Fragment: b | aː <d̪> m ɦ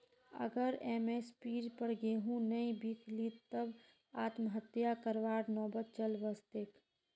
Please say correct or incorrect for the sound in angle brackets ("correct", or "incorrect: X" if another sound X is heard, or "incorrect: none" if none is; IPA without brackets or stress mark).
incorrect: t̪